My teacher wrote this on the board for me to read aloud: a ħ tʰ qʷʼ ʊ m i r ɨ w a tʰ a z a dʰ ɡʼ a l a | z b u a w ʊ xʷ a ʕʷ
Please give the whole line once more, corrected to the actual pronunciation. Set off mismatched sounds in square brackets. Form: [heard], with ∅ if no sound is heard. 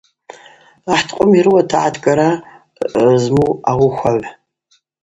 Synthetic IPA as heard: a ħ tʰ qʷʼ ʊ m i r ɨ w a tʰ a [ʕ] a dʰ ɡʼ a [ɾ] a | z [m] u a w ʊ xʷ a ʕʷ